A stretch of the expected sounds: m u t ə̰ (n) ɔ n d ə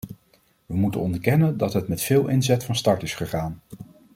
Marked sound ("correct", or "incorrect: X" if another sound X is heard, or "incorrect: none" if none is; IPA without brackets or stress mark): correct